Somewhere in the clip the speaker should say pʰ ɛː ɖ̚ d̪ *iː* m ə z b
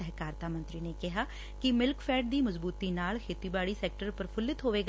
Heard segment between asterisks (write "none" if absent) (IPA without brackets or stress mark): iː